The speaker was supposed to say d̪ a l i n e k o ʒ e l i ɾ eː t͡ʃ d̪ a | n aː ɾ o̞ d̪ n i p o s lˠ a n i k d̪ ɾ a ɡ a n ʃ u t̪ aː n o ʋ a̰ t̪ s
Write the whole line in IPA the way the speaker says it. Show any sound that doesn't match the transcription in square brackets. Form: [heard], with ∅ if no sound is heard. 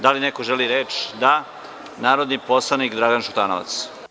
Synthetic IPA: d̪ a l i n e k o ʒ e l i ɾ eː t͡ʃ d̪ a | n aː ɾ o̞ d̪ n i p o s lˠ a n i k d̪ ɾ a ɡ a n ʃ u t̪ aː n o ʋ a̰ t̪ s